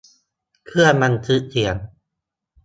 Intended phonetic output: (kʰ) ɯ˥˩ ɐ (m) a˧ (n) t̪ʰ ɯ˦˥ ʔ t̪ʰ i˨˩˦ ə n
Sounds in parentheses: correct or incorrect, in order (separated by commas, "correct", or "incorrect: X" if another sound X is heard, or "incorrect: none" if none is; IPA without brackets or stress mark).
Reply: correct, correct, correct